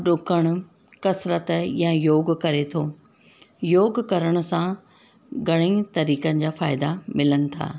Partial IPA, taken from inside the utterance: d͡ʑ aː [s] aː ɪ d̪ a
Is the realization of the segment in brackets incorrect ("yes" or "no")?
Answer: yes